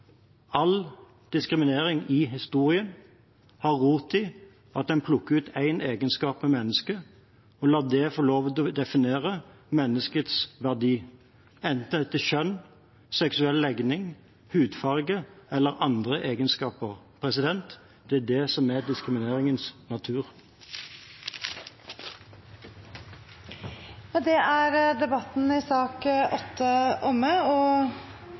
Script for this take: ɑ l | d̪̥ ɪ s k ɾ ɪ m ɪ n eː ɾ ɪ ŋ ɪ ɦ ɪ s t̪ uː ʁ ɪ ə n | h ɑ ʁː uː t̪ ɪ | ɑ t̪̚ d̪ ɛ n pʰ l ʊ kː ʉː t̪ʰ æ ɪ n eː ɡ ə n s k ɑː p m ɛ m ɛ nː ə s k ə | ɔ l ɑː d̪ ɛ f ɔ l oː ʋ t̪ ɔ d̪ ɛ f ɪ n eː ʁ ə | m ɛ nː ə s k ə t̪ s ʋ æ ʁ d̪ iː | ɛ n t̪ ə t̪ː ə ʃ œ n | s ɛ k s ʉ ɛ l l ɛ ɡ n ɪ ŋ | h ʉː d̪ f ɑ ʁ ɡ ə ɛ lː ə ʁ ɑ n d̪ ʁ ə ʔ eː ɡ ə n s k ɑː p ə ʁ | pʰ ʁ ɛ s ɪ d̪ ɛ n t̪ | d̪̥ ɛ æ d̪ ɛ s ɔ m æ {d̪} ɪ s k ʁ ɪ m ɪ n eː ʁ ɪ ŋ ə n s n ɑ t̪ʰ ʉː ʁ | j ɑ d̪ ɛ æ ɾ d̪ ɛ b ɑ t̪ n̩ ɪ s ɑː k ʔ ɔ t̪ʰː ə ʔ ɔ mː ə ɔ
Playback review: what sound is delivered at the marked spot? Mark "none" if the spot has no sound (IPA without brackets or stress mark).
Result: d̪